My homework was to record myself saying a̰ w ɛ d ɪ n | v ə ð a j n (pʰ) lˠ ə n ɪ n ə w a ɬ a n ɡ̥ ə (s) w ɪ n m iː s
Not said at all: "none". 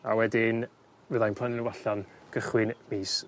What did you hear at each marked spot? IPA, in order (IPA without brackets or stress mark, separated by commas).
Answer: pʰ, χ